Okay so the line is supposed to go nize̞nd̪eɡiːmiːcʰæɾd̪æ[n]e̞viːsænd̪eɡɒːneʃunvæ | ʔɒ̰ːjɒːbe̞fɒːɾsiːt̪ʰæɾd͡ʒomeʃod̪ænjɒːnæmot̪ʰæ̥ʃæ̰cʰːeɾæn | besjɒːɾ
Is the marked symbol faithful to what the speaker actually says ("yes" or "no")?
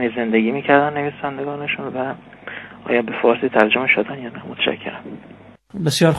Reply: no